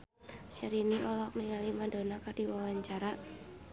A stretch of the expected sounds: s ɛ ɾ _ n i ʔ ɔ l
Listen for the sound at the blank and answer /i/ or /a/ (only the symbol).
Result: i